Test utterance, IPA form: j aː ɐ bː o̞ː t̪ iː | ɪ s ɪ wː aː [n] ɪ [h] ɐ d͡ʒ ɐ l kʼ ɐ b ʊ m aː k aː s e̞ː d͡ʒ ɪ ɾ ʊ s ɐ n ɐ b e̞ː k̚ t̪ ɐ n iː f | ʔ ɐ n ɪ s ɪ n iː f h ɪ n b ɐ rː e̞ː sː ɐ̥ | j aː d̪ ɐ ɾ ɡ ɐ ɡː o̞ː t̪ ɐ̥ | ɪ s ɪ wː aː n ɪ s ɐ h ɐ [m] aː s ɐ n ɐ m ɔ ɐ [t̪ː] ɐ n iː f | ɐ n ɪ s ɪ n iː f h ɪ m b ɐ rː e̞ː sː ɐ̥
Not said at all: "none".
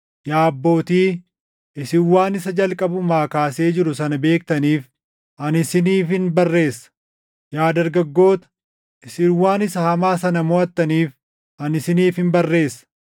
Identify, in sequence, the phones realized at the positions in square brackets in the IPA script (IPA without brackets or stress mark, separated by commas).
n, s, m, t̪ː